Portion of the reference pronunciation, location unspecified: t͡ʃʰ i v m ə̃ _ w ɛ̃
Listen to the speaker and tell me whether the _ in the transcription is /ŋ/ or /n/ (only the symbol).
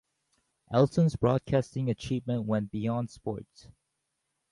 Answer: n